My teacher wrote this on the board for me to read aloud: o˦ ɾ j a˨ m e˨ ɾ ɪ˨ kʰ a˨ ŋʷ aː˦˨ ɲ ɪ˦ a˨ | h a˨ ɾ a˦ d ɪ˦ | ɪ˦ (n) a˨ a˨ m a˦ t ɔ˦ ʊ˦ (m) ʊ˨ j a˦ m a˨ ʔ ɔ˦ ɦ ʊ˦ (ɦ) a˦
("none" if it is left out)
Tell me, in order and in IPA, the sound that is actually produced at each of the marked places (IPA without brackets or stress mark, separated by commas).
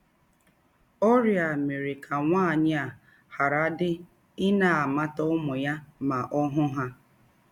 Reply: n, m, ɦ